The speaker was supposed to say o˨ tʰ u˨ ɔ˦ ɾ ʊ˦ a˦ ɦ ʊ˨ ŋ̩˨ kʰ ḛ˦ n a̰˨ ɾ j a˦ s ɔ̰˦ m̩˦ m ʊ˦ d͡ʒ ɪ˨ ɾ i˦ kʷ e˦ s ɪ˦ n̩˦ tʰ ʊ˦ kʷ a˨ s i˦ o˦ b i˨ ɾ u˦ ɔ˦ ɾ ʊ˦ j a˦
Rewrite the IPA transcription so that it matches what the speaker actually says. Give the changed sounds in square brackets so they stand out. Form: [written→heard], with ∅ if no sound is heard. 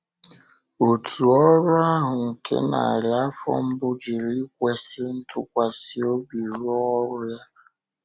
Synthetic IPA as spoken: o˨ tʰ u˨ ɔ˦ ɾ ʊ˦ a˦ ɦ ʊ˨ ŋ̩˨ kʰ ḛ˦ n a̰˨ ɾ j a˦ [s→f] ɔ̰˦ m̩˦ [m→b] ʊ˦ d͡ʒ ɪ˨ ɾ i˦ kʷ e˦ s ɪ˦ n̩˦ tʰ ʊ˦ kʷ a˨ s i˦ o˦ b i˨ ɾ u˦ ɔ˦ ɾ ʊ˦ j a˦